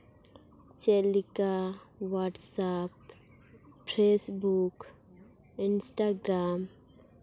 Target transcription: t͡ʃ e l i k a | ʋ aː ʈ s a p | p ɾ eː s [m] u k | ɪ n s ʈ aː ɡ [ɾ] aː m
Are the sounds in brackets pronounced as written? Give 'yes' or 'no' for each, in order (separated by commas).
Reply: no, yes